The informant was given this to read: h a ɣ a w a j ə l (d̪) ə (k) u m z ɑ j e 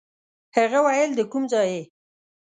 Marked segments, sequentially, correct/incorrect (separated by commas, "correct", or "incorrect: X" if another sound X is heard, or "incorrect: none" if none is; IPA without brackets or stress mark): correct, correct